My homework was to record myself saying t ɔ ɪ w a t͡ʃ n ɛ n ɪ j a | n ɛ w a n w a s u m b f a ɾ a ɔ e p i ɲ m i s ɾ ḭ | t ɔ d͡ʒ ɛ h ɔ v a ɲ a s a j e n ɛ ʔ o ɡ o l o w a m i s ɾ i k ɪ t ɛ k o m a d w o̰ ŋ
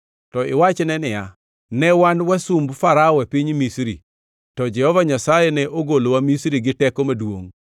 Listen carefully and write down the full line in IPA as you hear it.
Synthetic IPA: t ɔ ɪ w a t͡ʃ n ɛ n ɪ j a | n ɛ w a n w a s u m b f a ɾ a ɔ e p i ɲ m i s ɾ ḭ | t ɔ d͡ʒ ɛ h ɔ v a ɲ a s a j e n ɛ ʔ o ɡ o l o w a m i s ɾ i ɡ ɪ t ɛ k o m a d w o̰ ŋ